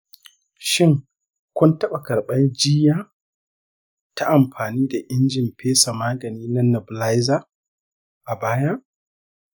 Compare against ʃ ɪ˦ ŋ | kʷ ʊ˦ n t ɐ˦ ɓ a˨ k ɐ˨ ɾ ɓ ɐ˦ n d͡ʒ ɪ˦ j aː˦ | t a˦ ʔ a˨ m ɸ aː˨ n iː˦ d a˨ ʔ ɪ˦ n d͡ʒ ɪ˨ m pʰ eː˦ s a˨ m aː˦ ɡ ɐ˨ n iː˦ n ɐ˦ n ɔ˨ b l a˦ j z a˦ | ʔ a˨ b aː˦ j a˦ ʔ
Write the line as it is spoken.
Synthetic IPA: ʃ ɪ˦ ŋ | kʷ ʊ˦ n t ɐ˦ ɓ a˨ k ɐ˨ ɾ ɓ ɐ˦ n d͡ʒ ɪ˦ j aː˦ | t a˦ ʔ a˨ m ɸ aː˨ n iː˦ d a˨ ʔ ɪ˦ n d͡ʒ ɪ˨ m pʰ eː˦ s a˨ m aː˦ ɡ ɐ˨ n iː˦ n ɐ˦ n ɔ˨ b l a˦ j z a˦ | ʔ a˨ b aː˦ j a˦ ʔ

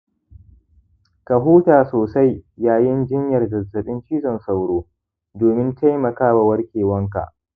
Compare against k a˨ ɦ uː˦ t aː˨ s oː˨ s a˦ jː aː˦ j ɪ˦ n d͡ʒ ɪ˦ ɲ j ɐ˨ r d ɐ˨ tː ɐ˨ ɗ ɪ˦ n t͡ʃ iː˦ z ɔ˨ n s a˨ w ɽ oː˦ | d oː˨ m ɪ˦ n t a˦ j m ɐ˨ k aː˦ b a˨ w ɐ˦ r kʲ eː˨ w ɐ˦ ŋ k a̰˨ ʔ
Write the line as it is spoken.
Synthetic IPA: k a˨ ɦ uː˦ t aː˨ s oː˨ s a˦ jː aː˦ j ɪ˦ n d͡ʒ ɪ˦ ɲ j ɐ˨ r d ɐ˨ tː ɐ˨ ɗ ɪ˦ n t͡ʃ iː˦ z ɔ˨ n s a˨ w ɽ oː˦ | d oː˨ m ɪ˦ n t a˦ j m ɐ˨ k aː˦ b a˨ w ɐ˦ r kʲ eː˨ w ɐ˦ ŋ k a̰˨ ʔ

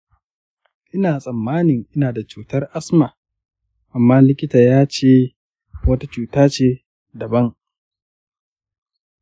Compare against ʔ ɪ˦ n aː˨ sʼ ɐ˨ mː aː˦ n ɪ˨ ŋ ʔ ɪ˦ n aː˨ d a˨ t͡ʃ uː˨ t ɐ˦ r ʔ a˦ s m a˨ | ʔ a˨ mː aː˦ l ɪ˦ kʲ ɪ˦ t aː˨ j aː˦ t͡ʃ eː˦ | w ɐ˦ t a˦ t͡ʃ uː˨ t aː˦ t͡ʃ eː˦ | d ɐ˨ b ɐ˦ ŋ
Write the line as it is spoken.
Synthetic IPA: ʔ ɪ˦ n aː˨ sʼ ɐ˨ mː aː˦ n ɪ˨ ŋ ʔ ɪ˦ n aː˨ d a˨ t͡ʃ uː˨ t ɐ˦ r ʔ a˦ s m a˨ | ʔ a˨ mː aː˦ l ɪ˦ kʲ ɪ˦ t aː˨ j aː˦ t͡ʃ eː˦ | w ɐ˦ t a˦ t͡ʃ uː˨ t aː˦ t͡ʃ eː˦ | d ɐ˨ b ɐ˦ ŋ

